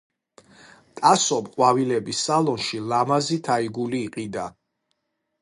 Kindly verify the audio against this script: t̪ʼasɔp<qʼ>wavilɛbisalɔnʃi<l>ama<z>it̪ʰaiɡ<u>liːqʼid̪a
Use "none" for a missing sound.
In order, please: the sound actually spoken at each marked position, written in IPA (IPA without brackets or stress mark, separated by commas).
qʼ, l, z, u